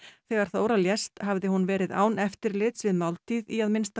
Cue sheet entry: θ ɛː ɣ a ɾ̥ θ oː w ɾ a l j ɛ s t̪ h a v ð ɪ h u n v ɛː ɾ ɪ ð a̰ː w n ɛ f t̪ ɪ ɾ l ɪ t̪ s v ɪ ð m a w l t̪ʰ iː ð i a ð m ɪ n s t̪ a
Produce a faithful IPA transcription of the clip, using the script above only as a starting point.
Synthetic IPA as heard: θ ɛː ɣ a ɾ̥ θ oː w ɾ a l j ɛ s t̪ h a v ð ɪ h u n v ɛː ɾ ɪ ð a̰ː w n ɛ f t̪ ɪ ɾ l ɪ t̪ s v ɪ ð m a w l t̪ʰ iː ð i a ð m ɪ n s t̪ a